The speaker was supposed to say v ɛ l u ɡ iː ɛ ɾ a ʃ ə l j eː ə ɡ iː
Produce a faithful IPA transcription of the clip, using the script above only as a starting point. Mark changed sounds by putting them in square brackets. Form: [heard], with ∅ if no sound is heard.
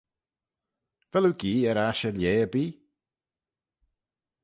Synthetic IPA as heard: v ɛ l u ɡ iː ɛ ɾ a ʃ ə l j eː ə [b] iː